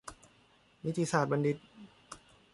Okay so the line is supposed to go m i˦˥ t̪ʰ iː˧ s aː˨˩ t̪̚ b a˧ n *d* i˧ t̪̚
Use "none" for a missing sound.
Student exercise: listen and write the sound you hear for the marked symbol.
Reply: d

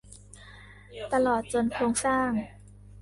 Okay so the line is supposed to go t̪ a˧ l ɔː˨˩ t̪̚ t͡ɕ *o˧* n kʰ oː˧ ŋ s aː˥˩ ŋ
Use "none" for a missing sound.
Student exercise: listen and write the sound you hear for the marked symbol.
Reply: o˧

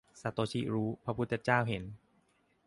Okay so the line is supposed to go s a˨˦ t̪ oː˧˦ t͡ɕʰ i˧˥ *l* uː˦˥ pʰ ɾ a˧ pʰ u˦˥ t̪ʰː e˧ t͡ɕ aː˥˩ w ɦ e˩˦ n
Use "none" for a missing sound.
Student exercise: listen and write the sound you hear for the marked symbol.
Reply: ɾ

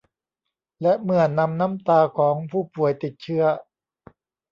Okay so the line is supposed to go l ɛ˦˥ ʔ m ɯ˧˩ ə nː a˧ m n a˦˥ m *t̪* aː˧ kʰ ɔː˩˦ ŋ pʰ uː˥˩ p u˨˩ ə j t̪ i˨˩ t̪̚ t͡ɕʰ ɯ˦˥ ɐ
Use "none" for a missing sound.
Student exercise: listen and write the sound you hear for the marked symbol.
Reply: t̪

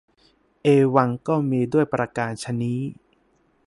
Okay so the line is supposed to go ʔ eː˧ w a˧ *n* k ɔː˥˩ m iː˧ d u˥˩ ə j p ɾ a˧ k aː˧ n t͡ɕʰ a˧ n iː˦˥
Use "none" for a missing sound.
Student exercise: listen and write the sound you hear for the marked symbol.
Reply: ŋ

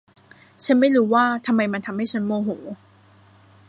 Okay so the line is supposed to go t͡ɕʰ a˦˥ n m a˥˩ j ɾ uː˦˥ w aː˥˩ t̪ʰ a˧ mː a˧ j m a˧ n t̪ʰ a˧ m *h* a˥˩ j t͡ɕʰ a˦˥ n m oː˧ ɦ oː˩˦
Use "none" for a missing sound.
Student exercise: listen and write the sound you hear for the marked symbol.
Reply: h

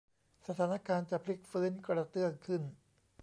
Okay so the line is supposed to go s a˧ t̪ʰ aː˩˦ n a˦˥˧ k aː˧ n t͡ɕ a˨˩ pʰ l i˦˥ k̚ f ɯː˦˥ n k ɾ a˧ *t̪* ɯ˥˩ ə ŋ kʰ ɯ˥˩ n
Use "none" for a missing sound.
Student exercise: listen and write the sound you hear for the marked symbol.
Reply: t̪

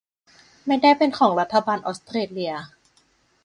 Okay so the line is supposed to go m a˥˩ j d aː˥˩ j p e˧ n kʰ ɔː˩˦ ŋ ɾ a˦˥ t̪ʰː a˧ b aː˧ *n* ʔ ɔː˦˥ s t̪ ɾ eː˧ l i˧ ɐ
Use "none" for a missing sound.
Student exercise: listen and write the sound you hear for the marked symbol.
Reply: n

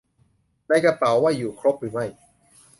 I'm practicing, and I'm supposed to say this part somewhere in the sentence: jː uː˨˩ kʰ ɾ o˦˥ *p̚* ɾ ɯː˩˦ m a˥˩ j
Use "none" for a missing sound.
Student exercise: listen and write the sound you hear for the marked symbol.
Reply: p̚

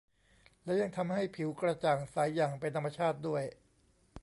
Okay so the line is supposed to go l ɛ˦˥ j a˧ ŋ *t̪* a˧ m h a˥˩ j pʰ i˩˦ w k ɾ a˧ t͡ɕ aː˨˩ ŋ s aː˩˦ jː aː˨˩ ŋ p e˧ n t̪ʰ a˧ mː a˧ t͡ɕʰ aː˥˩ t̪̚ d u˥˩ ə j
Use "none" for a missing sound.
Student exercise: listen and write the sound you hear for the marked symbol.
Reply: t̪ʰ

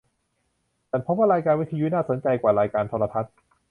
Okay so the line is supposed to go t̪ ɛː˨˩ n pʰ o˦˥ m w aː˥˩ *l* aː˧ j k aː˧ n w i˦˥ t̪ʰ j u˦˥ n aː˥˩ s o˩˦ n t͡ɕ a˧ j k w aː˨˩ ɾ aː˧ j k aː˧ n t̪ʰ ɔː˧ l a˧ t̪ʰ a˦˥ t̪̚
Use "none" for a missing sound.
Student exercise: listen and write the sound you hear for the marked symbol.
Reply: ɾ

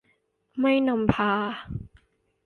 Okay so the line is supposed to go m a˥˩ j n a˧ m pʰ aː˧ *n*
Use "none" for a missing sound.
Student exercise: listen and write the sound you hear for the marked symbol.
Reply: none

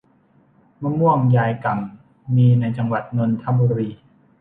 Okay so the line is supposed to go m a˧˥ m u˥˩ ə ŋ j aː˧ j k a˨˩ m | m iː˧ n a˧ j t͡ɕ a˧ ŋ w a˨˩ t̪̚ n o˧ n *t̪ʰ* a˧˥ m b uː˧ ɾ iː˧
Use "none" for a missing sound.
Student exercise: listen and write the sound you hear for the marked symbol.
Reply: t̪ʰ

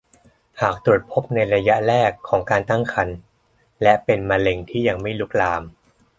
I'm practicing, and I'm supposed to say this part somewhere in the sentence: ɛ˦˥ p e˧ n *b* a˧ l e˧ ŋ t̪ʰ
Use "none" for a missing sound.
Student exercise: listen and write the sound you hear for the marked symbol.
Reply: m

